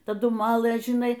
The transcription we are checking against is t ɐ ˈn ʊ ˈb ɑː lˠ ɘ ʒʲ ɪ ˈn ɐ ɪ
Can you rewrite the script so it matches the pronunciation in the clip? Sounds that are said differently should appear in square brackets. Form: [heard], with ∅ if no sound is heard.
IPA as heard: t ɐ [ˈd] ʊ [ˈm] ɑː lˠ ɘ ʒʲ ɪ ˈn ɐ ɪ